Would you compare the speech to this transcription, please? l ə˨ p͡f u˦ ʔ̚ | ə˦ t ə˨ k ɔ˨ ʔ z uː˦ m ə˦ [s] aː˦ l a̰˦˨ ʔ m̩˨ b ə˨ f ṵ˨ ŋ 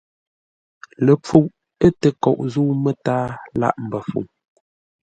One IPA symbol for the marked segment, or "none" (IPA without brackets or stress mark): t